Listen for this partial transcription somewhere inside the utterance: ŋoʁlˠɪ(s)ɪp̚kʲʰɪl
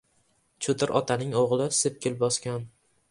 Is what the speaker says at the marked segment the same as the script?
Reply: yes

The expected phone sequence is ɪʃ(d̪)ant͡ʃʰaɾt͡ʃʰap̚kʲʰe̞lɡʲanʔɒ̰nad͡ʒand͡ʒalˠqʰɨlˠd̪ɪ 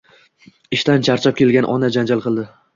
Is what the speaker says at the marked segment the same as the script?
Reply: no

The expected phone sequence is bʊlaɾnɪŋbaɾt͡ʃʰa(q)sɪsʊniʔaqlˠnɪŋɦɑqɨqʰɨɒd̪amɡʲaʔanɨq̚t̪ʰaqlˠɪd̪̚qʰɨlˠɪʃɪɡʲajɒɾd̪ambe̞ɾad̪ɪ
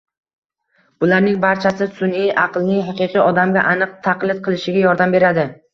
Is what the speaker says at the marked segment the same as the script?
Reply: no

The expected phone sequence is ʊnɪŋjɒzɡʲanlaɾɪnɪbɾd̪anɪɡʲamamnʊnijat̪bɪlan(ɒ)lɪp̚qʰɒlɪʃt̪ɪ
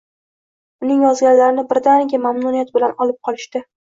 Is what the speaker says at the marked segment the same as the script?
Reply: yes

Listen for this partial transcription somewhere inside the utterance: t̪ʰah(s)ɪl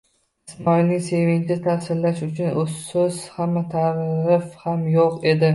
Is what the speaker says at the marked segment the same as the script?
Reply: yes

